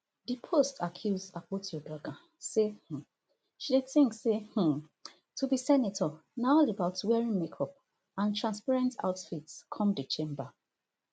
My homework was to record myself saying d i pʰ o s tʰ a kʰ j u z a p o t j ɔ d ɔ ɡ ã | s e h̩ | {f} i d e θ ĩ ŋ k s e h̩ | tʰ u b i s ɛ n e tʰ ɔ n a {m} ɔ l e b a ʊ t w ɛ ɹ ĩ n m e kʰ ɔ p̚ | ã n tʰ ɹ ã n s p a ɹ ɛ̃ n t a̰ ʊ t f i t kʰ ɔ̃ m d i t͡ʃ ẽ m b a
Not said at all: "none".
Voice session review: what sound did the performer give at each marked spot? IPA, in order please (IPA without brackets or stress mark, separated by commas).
ʃ, none